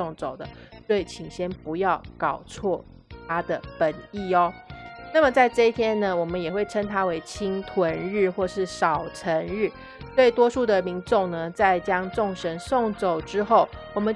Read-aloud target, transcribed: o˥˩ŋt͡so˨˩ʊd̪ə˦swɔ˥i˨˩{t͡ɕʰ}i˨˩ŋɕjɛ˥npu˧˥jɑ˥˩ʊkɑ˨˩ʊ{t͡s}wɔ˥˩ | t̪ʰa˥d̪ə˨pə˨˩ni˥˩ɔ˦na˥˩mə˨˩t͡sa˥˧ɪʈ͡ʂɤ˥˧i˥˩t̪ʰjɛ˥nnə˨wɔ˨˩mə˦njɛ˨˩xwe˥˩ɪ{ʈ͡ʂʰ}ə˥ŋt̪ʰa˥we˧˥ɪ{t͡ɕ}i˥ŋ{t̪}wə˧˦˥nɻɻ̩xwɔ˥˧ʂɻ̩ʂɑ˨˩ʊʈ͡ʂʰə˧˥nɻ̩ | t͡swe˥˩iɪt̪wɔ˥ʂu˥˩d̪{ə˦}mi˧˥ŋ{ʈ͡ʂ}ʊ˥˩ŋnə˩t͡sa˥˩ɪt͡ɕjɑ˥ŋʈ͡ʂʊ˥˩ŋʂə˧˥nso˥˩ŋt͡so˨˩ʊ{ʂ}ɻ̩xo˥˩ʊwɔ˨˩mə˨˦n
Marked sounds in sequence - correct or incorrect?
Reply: correct, incorrect, correct, incorrect, incorrect, incorrect, correct, incorrect

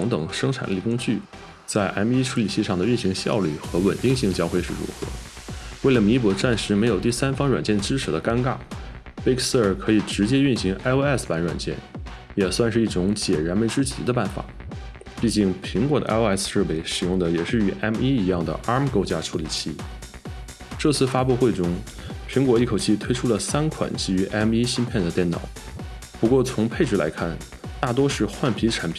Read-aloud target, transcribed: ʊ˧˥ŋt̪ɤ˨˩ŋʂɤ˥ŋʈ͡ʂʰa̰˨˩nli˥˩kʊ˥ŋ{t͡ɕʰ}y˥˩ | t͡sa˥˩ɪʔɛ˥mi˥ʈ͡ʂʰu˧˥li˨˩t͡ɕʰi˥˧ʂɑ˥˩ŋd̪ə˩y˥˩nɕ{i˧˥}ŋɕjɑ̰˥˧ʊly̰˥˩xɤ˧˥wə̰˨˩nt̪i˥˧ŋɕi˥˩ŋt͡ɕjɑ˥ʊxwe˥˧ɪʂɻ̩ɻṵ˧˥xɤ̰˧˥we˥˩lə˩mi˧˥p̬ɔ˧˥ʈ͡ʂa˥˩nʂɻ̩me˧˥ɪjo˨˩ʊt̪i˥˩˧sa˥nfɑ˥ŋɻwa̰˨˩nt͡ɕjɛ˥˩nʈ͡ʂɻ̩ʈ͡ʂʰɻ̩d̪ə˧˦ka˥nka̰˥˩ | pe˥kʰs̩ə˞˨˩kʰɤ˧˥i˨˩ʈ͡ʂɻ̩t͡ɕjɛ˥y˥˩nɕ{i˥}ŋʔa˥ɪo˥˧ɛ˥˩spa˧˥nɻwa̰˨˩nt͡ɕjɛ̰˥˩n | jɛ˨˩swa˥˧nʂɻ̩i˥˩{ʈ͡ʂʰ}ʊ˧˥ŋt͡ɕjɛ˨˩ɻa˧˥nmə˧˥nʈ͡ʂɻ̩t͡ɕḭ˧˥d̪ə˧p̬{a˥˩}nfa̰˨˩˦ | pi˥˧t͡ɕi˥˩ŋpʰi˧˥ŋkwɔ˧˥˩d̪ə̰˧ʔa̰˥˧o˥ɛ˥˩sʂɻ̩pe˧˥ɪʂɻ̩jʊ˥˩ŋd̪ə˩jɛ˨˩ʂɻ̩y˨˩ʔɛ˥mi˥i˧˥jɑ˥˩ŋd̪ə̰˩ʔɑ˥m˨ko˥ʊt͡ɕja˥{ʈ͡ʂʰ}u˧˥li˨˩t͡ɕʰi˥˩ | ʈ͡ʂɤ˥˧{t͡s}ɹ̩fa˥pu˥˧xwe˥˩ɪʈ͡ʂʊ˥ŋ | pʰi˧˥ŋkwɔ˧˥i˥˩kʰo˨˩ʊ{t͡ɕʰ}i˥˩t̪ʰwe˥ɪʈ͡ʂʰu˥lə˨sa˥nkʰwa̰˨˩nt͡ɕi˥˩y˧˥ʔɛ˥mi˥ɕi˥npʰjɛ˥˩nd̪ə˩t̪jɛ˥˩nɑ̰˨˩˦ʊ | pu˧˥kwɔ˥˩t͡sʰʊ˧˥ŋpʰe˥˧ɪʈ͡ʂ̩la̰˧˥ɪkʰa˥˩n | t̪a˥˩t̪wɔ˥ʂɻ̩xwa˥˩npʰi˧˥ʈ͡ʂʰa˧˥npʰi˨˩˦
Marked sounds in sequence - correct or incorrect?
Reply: incorrect, correct, incorrect, incorrect, correct, correct, incorrect, correct

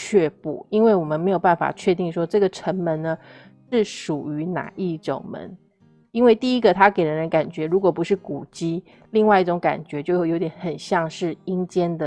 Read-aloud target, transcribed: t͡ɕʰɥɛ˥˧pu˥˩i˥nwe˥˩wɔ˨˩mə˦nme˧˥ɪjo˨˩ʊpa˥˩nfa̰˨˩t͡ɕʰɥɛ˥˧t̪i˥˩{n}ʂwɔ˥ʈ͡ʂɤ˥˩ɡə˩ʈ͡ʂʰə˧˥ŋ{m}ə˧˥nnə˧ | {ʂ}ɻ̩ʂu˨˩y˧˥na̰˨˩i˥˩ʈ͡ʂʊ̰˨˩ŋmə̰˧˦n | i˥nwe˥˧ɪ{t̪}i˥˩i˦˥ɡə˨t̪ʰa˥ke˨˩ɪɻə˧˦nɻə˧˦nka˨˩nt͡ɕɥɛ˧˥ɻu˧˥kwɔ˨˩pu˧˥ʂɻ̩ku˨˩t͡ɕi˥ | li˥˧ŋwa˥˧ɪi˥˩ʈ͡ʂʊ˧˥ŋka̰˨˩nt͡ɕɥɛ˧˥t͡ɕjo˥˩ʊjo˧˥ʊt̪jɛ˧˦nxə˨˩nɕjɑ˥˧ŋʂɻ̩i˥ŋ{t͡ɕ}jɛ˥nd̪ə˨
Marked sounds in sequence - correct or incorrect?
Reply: incorrect, correct, correct, correct, correct

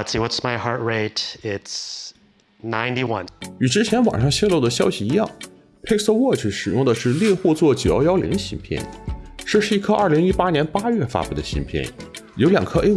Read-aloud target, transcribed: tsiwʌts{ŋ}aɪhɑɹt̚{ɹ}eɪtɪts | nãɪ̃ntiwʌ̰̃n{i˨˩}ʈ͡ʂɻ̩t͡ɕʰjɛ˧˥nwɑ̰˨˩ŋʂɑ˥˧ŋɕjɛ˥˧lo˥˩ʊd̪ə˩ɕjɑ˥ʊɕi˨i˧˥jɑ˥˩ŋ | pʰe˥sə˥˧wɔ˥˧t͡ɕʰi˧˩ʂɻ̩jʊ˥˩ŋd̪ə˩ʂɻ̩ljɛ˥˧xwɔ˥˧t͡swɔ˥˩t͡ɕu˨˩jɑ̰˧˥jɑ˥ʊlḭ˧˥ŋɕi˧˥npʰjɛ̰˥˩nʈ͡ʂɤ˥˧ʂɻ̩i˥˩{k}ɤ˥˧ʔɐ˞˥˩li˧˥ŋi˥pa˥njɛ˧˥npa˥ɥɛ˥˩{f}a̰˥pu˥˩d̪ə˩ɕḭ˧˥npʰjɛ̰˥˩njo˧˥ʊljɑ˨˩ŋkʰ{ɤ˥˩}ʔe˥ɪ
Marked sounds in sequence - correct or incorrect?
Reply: incorrect, correct, incorrect, incorrect, correct, incorrect

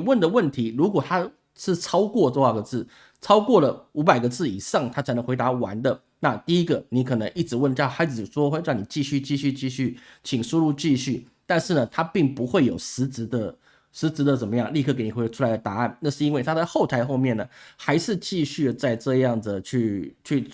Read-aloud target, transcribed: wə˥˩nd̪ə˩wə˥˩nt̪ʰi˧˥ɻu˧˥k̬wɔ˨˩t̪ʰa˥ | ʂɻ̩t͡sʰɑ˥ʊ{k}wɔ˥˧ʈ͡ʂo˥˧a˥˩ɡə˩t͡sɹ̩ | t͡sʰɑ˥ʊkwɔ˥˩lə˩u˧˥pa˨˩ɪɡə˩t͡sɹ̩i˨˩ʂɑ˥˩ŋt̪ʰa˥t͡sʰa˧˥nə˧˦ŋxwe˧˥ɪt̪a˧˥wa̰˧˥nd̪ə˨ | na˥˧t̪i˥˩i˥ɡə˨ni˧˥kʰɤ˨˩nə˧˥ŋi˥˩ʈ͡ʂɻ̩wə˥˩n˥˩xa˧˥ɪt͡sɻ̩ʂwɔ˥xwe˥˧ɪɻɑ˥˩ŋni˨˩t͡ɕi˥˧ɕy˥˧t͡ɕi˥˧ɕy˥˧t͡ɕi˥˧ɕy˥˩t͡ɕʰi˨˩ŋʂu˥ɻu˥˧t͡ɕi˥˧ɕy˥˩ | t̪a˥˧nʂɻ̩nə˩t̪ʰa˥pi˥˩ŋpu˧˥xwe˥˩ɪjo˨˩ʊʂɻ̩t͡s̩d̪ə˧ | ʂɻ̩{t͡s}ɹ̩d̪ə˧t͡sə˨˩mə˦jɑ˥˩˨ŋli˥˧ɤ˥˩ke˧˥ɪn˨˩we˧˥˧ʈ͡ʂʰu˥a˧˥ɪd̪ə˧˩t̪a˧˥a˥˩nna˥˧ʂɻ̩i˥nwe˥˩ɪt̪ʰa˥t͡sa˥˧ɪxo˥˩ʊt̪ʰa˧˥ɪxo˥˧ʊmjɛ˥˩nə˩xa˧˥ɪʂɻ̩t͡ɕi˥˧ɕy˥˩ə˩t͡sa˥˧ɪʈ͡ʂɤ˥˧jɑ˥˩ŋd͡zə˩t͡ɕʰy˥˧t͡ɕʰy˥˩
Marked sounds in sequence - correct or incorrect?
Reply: correct, correct

